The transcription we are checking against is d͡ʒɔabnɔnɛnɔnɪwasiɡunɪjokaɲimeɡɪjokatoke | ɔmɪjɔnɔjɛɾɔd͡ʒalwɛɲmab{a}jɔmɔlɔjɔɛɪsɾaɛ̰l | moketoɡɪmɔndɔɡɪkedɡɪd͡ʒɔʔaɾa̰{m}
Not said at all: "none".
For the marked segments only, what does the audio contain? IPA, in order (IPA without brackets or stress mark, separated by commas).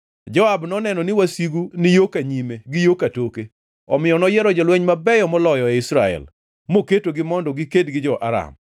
ɛ, m